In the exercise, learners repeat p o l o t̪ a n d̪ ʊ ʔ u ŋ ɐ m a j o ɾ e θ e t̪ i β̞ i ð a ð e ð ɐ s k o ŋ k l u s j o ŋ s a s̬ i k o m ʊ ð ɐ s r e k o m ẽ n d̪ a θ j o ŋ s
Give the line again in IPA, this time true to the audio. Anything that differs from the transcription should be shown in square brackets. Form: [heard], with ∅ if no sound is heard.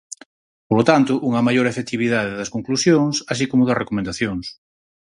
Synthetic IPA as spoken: p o l o t̪ a n [t̪] ʊ ʔ u ŋ ɐ m a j o ɾ e [f] e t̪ i β̞ i ð a ð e ð ɐ s k o ŋ k l u s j o ŋ s a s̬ i k o m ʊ ð ɐ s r e k o m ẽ n d̪ a θ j o ŋ s